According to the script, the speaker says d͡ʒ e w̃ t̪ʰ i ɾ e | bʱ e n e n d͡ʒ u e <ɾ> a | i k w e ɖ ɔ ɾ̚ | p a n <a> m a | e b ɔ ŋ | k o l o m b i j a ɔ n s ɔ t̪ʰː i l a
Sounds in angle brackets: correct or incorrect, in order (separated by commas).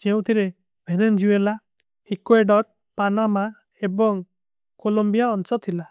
incorrect, correct